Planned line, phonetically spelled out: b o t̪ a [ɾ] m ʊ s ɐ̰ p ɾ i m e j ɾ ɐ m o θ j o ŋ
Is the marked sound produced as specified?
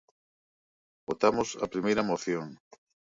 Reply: no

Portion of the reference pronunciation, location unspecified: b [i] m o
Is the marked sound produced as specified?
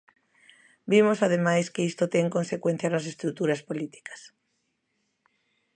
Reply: yes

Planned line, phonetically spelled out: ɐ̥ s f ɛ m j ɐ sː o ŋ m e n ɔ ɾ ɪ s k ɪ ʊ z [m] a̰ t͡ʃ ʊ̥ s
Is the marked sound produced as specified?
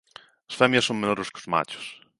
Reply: yes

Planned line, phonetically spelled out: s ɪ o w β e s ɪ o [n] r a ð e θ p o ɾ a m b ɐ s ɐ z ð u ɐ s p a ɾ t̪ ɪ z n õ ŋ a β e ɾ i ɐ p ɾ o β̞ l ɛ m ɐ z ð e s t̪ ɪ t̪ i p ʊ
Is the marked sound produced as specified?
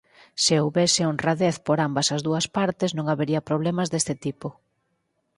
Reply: yes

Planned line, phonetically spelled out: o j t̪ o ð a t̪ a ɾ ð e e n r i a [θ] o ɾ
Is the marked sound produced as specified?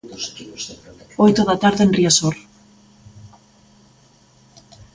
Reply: no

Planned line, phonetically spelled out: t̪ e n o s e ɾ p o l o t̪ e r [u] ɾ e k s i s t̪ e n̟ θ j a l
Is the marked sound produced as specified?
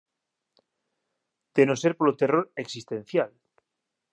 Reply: no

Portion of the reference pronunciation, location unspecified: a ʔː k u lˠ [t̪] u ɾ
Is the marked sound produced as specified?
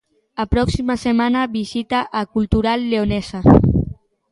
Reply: yes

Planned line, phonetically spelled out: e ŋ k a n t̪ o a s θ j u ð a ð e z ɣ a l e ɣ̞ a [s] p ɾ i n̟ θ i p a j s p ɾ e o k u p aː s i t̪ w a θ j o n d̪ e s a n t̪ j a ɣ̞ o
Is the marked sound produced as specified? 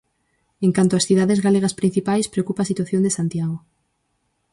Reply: yes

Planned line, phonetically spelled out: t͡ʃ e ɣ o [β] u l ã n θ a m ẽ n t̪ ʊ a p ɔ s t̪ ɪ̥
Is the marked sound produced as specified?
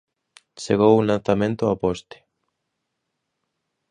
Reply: no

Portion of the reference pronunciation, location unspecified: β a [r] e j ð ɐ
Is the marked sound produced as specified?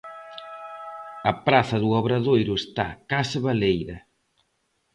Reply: no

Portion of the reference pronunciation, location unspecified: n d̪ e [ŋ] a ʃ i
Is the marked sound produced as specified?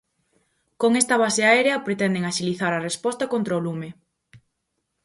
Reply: yes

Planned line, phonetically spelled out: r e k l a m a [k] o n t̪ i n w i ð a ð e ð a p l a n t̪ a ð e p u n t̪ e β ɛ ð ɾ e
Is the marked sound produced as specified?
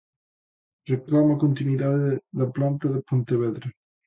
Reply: yes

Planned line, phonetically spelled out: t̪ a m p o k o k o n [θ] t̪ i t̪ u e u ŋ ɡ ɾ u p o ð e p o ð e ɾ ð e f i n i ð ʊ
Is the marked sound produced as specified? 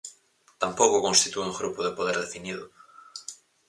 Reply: no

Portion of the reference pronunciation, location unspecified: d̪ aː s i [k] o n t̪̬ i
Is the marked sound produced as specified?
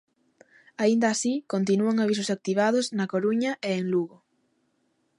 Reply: yes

